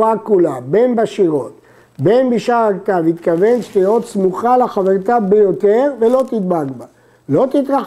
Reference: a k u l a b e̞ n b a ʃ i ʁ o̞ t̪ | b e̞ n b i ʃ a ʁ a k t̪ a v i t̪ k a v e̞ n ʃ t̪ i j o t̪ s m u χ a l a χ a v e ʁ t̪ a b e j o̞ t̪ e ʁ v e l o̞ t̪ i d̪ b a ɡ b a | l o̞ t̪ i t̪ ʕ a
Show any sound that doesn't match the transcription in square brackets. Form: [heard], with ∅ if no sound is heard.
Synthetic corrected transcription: a k u l a b e̞ n b a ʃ i ʁ o̞ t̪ | b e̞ n b i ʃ a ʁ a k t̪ a v i t̪ k a v e̞ n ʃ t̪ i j o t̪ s m u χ a l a χ a v e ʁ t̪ a b e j o̞ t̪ e ʁ v e l o̞ t̪ i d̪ b a ɡ b a | l o̞ t̪ i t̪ [ʁ] a